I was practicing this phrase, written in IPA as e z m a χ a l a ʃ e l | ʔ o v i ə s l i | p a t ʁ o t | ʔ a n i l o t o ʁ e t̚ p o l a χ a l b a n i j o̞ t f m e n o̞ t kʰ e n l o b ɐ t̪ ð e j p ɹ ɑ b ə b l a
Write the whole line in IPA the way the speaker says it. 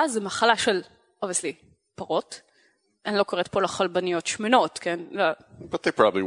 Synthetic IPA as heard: a z m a χ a l a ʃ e l | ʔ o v i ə s l i | p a ʁ o t | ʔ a n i l o k o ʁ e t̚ p o l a χ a l b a n i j o̞ t ʃ m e n o̞ t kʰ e n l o b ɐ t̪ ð e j p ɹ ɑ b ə b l i